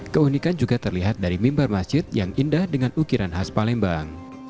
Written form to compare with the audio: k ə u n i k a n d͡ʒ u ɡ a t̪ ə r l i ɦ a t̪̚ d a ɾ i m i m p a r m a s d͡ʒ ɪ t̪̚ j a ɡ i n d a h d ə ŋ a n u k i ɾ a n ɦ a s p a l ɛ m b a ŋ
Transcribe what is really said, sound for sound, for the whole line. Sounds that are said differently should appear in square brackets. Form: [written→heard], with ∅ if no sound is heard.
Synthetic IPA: k ə u n i k a n d͡ʒ u ɡ a t̪ ə r l i ɦ a t̪̚ d a ɾ i m i m [p→b] a r m a s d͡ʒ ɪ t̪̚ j a [ɡ→ŋ] i n d a h d ə ŋ a n u k i ɾ a n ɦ a s p a l ɛ m b a ŋ